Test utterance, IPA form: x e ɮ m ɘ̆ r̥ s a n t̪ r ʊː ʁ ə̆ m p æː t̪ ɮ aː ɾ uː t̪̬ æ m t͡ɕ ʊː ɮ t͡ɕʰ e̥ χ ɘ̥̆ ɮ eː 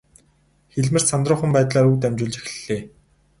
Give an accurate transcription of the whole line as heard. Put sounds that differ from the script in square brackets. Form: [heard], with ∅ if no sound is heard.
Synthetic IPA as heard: x e ɮ m ɘ̆ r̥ s a n t̪ r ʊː [χ] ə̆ m p æː t̪ ɮ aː ɾ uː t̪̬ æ m t͡ɕ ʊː ɮ [t͡ɕ] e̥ [x] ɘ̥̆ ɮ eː